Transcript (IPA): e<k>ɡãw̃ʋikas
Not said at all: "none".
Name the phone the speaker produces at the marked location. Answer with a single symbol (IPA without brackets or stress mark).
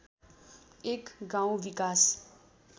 k